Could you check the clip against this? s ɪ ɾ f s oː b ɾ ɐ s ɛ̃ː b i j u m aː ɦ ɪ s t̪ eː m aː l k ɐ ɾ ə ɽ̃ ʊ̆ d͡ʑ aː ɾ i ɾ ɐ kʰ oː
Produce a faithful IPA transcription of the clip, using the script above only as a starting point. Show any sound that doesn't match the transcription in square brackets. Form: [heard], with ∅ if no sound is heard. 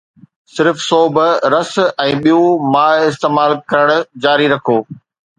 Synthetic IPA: s ɪ ɾ f s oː b ɾ ɐ s ɛ̃ː [ɓ] i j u m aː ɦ ɪ s t̪ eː m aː l k ɐ ɾ ə ɽ̃ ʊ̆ d͡ʑ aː ɾ i ɾ ɐ kʰ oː

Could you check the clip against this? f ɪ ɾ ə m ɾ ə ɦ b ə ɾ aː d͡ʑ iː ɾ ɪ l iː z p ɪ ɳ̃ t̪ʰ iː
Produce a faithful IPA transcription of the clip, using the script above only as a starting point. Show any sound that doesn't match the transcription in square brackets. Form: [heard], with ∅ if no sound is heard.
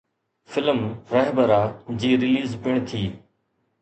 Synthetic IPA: f ɪ [l] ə m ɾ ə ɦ b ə ɾ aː d͡ʑ iː ɾ ɪ l iː z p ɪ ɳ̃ t̪ʰ iː

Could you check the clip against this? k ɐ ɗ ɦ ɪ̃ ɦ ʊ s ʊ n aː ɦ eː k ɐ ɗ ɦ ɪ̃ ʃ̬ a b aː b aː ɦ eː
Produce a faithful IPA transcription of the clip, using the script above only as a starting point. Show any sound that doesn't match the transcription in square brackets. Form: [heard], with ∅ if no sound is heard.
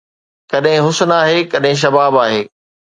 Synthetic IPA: k ɐ ɗ ɦ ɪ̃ ɦ ʊ s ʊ n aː ɦ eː k ɐ ɗ ɦ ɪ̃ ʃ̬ [ɐ] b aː b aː ɦ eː

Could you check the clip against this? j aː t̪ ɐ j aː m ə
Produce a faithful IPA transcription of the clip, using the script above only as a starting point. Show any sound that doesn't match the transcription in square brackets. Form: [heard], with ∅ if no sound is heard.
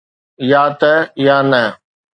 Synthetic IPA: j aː t̪ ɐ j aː [n] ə

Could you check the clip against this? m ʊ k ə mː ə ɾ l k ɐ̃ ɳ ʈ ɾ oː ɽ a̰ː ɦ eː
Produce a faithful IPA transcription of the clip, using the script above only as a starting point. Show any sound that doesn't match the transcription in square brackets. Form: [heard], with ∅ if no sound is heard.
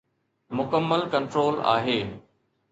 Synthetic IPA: m ʊ k ə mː ə [∅] l k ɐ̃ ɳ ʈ ɾ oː [l] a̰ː ɦ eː

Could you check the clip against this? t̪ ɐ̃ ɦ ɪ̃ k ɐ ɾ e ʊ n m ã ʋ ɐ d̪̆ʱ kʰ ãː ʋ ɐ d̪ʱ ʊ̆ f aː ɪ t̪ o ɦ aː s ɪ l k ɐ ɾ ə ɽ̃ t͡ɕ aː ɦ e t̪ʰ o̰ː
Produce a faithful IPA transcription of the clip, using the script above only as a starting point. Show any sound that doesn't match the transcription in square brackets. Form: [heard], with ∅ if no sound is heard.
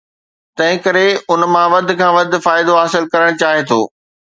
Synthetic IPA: t̪ ɐ̃ ɦ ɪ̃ k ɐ ɾ e ʊ n m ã ʋ ɐ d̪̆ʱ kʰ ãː ʋ ɐ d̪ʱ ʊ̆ f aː ɪ [d̪] o ɦ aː s ɪ l k ɐ ɾ ə ɽ̃ t͡ɕ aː ɦ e t̪ʰ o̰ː

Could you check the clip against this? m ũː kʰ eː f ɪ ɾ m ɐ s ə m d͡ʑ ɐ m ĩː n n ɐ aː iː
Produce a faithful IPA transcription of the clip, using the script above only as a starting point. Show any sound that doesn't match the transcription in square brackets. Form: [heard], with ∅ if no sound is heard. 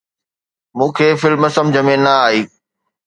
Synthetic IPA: m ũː kʰ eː f ɪ [l] m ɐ s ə m d͡ʑ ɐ m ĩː n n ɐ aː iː

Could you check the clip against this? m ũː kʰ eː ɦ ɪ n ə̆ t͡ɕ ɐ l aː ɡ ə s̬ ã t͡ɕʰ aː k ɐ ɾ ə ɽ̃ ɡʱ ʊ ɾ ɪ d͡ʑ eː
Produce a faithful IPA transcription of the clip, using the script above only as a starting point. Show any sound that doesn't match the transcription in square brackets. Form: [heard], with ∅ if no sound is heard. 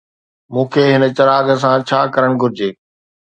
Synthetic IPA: m ũː kʰ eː ɦ ɪ n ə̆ t͡ɕ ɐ [ɾ] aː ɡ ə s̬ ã t͡ɕʰ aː k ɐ ɾ ə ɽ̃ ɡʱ ʊ ɾ ɪ d͡ʑ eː

